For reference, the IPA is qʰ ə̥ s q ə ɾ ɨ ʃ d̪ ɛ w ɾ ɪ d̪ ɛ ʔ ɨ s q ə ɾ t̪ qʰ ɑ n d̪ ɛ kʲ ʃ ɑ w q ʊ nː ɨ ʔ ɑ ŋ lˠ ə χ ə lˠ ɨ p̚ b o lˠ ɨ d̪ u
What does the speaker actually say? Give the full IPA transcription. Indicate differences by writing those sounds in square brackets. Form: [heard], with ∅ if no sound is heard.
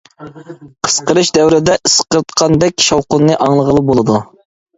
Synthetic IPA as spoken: qʰ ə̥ s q ə ɾ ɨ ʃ d̪ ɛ w ɾ ɪ d̪ ɛ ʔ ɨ s q ə ɾ t̪ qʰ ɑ n d̪ ɛ kʲ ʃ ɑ w q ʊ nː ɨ ʔ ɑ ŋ lˠ ə [ʁ] ə lˠ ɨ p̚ b o lˠ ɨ d̪ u